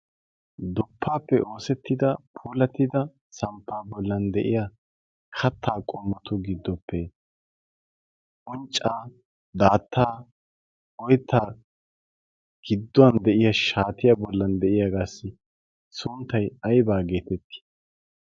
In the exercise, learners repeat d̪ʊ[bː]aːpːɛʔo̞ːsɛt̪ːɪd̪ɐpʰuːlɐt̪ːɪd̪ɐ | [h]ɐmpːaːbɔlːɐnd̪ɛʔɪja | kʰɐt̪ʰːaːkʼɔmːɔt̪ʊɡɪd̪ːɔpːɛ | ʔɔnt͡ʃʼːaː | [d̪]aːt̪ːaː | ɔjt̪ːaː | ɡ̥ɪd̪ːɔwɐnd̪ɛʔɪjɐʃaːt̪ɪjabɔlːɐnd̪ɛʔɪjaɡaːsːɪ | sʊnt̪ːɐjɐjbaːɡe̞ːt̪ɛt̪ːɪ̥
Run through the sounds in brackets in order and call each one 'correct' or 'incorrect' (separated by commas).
incorrect, incorrect, correct